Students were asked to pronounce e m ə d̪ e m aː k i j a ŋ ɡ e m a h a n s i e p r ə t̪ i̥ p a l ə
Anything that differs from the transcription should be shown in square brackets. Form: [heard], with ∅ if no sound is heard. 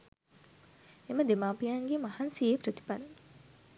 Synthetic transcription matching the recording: e m ə d̪ e m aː [p] i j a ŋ ɡ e m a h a n s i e p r ə t̪ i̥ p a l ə